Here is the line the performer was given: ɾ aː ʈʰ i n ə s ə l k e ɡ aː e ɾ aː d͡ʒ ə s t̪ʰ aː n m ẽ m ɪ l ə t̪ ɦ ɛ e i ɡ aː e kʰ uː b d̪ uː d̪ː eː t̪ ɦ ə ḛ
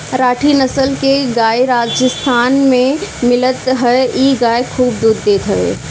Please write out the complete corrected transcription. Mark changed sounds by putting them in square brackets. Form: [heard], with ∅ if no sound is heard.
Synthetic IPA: ɾ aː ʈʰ i n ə s ə l k e ɡ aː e ɾ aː d͡ʒ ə s t̪ʰ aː n m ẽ m ɪ l ə t̪ ɦ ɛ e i ɡ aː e kʰ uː b d̪ uː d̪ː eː t̪ ɦ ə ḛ